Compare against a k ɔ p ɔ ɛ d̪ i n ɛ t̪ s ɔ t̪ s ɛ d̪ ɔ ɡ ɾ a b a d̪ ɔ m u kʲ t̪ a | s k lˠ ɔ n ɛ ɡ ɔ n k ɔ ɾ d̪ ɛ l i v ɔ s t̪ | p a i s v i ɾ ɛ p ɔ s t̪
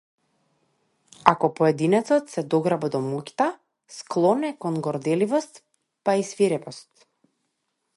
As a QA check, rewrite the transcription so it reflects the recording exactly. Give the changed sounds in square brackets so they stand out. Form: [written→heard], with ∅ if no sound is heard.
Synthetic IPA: a k ɔ p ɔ ɛ d̪ i n ɛ t̪ s ɔ t̪ s ɛ d̪ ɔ ɡ ɾ a b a d̪ ɔ m u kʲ t̪ a | s k lˠ ɔ n ɛ [ɡ→k] ɔ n [k→ɡ] ɔ ɾ d̪ ɛ l i v ɔ s t̪ | p a i s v i ɾ ɛ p ɔ s t̪